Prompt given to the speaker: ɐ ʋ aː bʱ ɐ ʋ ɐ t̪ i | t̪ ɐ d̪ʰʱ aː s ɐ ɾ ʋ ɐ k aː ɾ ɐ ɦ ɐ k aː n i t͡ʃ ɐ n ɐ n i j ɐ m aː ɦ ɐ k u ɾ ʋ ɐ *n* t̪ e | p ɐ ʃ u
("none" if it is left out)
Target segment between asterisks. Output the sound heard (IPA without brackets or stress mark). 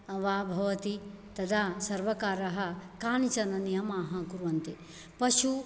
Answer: n